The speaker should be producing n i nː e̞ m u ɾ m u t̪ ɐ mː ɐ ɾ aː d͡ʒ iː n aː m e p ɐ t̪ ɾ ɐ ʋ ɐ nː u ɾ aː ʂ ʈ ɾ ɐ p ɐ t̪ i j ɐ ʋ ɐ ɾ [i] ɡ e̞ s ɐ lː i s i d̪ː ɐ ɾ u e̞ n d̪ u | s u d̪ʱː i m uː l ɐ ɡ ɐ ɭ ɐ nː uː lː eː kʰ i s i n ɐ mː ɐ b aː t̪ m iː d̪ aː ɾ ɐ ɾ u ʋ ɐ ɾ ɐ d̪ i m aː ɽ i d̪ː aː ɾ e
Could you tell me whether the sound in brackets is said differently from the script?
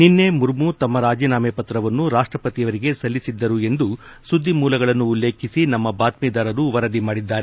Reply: no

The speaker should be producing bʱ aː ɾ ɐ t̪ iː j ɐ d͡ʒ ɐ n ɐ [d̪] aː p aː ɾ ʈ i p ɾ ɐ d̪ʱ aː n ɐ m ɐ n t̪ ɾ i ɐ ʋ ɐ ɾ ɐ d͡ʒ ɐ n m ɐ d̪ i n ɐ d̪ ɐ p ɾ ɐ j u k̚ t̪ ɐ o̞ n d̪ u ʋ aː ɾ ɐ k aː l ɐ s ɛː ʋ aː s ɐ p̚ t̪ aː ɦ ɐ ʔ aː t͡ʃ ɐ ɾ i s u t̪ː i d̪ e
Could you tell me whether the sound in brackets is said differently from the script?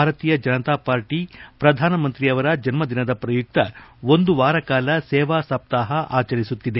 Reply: yes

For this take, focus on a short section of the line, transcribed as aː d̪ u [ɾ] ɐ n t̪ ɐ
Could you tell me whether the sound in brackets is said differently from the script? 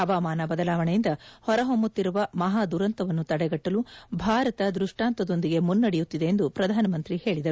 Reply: no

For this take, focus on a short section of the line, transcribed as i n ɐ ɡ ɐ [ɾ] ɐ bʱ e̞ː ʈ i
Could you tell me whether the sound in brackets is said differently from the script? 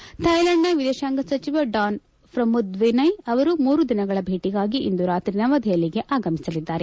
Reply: yes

